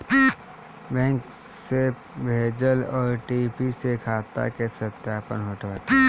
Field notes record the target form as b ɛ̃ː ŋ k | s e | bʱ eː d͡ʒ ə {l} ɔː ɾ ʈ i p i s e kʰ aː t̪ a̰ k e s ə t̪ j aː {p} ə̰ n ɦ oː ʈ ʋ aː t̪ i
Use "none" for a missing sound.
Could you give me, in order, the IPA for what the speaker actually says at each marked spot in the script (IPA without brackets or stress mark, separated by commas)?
l, p